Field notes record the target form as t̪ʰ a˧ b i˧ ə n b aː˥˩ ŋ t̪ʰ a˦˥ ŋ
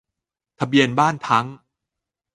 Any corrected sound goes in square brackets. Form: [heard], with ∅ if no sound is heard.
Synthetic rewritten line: t̪ʰ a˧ b i˧ ə n b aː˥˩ [n] t̪ʰ a˦˥ ŋ

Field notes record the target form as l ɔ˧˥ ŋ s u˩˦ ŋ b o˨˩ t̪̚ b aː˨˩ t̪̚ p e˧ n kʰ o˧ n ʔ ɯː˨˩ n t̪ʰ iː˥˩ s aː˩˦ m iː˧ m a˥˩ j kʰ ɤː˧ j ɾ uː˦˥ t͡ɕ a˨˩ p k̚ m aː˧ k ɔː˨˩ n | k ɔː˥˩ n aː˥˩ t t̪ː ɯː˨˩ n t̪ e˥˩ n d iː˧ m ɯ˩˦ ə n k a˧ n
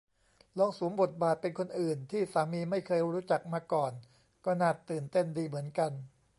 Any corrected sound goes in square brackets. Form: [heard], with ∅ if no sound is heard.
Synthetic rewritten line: l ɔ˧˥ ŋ s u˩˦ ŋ b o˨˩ t̪̚ b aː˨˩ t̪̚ p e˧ n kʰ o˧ n ʔ ɯː˨˩ n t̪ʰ iː˥˩ s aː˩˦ m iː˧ m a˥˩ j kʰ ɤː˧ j ɾ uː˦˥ t͡ɕ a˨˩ [∅] k̚ m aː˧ k ɔː˨˩ n | k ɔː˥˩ n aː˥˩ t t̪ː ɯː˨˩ n t̪ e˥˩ n d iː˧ m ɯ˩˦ ə n k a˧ n

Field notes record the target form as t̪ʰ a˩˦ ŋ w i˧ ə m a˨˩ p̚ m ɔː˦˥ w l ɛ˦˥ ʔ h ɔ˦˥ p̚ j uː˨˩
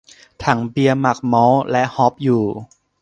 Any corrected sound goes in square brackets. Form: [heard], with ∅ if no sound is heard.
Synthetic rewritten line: t̪ʰ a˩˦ ŋ [b] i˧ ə m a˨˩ [k̚] m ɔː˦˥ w l ɛ˦˥ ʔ h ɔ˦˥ p̚ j uː˨˩

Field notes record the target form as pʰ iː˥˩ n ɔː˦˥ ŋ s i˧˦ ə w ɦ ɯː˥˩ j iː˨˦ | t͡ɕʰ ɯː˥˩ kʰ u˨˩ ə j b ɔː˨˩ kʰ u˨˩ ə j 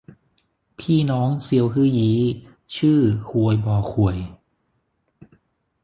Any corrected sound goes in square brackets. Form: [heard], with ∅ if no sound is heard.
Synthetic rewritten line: pʰ iː˥˩ n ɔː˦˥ ŋ s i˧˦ ə w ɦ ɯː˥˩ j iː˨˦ | t͡ɕʰ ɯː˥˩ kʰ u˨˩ ə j b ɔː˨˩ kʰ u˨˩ ə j

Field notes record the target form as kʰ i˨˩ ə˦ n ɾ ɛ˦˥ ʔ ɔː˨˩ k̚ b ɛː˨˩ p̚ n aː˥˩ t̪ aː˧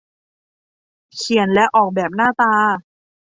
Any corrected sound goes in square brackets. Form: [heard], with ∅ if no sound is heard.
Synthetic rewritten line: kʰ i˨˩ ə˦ n [l] ɛ˦˥ ʔ ɔː˨˩ k̚ b ɛː˨˩ p̚ n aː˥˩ t̪ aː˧

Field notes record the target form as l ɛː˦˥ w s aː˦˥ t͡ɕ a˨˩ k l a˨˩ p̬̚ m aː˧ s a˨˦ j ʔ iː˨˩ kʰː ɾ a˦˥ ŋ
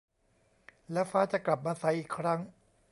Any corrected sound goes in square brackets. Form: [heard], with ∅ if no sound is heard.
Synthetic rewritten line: l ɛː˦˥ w [f] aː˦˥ t͡ɕ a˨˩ k l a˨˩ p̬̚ m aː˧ s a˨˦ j ʔ iː˨˩ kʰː ɾ a˦˥ ŋ

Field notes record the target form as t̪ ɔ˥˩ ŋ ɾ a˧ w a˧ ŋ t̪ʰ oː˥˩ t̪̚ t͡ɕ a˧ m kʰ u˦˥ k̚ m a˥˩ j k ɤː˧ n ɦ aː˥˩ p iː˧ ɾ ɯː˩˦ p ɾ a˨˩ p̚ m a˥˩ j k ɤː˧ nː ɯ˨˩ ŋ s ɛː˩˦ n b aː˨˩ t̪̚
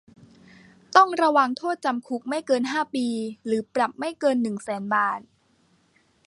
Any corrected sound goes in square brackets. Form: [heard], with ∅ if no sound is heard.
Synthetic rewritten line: t̪ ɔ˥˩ ŋ ɾ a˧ w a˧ ŋ t̪ʰ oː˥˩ t̪̚ t͡ɕ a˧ m kʰ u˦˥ k̚ m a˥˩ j k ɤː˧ n ɦ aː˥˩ p iː˧ ɾ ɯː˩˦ p ɾ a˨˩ p̚ m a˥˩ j k ɤː˧ nː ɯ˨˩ ŋ s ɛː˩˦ n b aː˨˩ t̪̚

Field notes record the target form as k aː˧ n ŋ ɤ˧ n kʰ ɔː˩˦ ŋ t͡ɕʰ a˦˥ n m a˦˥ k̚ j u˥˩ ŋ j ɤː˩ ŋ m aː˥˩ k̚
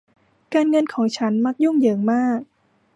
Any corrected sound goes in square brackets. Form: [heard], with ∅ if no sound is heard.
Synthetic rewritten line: k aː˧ n ŋ ɤ˧ n kʰ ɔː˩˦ ŋ t͡ɕʰ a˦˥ n m a˦˥ k̚ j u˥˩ ŋ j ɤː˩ ŋ m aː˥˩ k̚

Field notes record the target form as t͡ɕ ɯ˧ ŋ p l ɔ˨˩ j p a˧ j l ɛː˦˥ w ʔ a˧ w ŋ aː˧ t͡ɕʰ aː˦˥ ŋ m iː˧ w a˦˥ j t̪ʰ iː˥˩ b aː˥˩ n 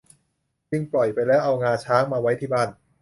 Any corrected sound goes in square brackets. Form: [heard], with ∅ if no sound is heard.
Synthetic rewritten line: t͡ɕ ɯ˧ ŋ p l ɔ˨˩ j p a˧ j l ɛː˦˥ w ʔ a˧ w ŋ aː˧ t͡ɕʰ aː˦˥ ŋ m [aː˧] w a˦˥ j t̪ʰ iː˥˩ b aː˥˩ n

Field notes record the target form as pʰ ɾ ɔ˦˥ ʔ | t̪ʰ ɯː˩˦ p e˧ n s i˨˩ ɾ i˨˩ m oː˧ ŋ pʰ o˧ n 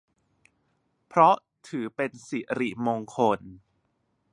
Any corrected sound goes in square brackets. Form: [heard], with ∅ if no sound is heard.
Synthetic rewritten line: pʰ ɾ ɔ˦˥ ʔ | t̪ʰ ɯː˩˦ p e˧ n s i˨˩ ɾ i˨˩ m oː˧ ŋ [kʰ] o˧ n

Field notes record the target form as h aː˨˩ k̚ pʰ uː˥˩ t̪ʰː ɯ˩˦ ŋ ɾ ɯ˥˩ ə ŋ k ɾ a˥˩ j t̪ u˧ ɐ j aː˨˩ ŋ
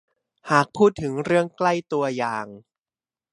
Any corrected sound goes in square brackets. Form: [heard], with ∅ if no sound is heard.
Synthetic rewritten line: h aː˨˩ k̚ pʰ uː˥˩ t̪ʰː ɯ˩˦ ŋ ɾ ɯ˥˩ ə ŋ k [l] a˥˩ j t̪ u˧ ɐ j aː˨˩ ŋ

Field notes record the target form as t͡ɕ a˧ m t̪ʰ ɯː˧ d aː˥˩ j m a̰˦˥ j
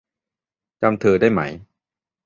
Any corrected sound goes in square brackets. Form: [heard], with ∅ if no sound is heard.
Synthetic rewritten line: t͡ɕ a˧ m t̪ʰ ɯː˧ d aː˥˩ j m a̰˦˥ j

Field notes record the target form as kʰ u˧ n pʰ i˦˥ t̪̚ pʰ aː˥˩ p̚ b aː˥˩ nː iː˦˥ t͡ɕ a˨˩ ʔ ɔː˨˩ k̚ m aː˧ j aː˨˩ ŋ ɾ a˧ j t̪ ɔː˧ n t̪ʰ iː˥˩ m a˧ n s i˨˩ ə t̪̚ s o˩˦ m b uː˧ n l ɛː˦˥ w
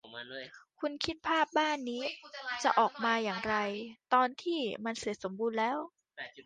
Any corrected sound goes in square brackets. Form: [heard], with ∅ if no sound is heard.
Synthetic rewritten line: kʰ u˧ n [kʰ] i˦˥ t̪̚ pʰ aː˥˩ p̚ b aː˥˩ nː iː˦˥ t͡ɕ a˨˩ ʔ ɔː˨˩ k̚ m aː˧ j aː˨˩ ŋ ɾ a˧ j t̪ ɔː˧ n t̪ʰ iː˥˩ m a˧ n s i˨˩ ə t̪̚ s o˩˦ m b uː˧ n l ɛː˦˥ w

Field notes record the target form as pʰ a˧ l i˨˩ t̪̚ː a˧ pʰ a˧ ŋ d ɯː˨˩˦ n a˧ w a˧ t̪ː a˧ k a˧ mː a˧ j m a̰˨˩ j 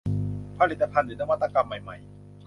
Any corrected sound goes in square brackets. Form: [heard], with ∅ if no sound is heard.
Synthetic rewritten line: pʰ a˧ l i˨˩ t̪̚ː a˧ pʰ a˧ [n] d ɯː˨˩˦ n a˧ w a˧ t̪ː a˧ k a˧ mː [a˨˩] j m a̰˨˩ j

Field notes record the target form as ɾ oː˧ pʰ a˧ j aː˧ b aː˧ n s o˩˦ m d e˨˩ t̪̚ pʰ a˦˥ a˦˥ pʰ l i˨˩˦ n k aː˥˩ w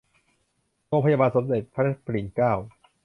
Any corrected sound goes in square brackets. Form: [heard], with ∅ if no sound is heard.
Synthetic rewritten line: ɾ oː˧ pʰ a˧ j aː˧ b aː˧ n s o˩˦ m d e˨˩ t̪̚ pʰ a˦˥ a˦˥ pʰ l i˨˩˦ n k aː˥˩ w

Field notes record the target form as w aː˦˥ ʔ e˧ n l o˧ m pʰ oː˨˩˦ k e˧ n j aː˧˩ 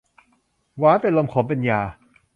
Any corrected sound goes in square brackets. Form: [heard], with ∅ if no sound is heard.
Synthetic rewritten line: w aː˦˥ [p] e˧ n l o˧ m [kʰ] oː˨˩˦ [p] e˧ n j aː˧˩

